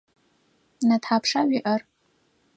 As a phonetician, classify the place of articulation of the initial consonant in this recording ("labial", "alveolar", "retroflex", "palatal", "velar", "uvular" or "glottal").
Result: alveolar